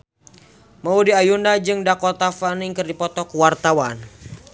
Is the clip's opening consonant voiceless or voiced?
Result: voiced